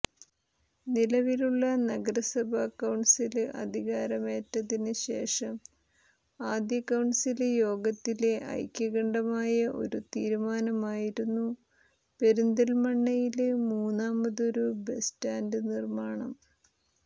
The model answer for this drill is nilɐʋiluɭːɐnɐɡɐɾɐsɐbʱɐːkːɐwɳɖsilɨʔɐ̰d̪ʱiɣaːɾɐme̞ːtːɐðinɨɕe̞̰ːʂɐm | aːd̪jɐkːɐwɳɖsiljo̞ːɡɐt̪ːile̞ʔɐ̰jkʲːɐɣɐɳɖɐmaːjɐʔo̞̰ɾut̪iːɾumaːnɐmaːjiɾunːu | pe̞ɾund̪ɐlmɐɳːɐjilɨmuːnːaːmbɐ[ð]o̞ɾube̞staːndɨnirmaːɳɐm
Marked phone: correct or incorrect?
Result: correct